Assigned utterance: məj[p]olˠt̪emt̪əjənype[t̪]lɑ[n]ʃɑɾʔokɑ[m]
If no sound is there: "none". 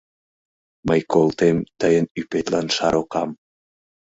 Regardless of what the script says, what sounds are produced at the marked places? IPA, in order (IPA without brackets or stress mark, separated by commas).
k, t̪, n, m